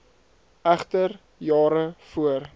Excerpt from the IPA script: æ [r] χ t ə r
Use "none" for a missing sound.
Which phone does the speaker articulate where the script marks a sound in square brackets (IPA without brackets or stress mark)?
none